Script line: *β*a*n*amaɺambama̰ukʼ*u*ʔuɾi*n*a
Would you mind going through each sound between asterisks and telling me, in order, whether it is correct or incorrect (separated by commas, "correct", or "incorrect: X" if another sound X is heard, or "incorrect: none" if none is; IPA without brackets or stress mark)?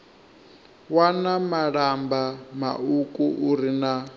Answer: incorrect: w, correct, correct, correct